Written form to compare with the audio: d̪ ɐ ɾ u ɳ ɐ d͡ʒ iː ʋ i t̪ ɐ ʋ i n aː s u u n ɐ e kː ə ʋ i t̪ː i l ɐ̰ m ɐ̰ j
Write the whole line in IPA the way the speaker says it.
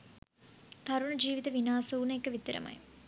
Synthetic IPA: t̪ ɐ ɾ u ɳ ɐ d͡ʒ iː ʋ i t̪ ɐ ʋ i n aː s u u n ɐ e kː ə ʋ i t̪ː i ɾ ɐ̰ m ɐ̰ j